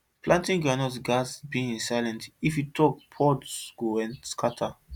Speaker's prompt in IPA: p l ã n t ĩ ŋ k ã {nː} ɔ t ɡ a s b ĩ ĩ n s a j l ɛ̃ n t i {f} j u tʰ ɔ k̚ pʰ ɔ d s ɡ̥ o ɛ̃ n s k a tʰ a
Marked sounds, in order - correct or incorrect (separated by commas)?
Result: incorrect, correct